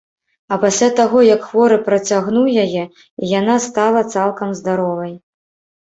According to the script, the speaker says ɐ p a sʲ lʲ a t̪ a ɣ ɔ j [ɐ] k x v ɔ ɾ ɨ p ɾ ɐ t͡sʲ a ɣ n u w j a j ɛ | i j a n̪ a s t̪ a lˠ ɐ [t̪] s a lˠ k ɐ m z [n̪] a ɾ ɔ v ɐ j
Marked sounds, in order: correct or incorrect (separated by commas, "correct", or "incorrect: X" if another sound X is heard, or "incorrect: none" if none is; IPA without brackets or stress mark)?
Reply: correct, correct, incorrect: d̪